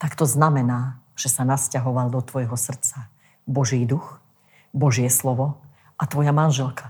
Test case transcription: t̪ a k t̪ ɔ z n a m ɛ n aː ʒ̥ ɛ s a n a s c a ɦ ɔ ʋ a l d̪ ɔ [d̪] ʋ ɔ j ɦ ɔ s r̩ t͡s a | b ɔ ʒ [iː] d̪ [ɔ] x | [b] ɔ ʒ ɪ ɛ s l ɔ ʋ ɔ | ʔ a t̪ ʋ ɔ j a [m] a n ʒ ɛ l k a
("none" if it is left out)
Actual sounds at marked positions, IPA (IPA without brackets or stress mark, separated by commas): t̪, iː, u, b, m